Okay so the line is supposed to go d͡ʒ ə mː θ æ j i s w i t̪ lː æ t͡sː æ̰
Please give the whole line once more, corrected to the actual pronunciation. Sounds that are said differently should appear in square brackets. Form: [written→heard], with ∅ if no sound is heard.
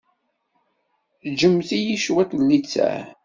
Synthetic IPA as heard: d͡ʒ ə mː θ [æ→i] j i [s→ʃ] w [i→æ] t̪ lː [æ→i] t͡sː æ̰